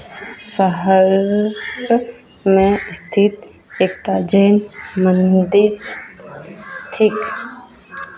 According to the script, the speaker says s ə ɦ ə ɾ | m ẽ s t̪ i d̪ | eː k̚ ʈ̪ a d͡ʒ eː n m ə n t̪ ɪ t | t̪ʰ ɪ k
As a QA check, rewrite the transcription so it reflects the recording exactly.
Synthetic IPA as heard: s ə ɦ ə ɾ | m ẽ s t̪ʰ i t̪ | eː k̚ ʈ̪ a d͡ʒ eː n m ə n d̪ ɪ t | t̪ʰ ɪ k